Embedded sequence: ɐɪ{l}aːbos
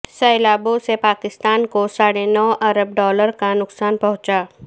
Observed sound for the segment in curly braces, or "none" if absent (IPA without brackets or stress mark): l